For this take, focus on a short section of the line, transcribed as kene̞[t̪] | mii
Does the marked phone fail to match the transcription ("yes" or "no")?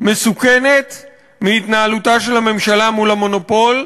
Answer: no